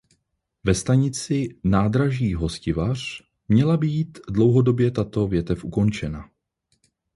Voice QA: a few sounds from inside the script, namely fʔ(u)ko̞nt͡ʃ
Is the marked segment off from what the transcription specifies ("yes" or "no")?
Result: no